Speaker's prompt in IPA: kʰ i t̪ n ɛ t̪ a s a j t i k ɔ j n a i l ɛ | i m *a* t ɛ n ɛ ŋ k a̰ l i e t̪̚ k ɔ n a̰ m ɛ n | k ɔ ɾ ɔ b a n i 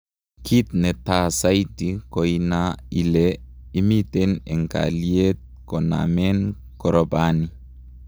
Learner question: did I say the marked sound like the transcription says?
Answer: no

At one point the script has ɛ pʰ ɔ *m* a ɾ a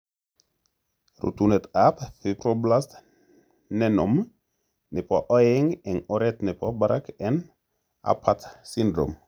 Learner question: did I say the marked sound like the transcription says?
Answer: no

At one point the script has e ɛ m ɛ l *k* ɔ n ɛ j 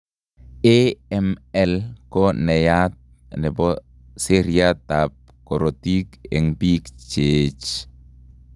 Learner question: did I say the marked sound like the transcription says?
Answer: yes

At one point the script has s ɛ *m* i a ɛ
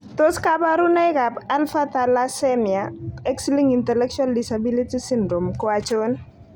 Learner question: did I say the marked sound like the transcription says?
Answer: yes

